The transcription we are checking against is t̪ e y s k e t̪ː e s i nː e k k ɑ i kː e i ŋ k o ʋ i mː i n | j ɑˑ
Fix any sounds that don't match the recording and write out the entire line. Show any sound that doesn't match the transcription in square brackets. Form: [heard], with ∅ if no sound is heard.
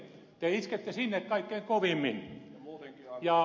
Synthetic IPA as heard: t̪ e [i] s k e t̪ː e s i nː e k k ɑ i kː e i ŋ k o ʋ i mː i n | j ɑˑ